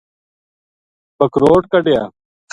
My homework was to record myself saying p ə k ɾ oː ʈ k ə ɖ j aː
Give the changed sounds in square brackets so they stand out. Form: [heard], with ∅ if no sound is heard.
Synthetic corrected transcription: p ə k ɾ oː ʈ k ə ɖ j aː